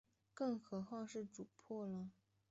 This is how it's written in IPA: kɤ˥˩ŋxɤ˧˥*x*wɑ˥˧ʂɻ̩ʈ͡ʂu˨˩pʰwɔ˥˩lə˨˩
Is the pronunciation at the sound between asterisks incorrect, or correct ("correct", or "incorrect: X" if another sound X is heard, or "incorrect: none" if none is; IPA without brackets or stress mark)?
correct